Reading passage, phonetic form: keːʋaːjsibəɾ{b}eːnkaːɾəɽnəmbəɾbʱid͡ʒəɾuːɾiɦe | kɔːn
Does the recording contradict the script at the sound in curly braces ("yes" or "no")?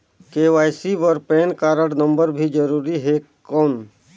yes